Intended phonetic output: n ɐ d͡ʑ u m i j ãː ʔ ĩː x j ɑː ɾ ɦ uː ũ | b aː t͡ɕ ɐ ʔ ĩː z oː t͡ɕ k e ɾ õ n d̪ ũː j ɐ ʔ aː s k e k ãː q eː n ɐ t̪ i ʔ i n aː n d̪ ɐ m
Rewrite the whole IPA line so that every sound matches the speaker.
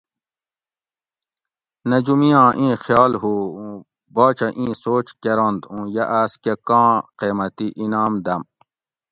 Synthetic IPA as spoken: n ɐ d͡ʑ u m i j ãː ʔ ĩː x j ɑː l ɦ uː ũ | b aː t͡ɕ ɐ ʔ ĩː s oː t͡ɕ k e ɾ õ n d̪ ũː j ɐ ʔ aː s k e k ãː q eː m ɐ t̪ i ʔ i n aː m d̪ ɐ m